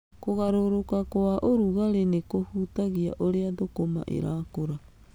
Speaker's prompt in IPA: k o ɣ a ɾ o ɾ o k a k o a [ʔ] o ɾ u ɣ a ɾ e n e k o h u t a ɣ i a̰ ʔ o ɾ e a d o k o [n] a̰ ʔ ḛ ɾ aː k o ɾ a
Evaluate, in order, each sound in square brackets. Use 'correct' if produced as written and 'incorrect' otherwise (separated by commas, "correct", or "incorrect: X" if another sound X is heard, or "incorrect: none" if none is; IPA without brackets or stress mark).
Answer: correct, incorrect: m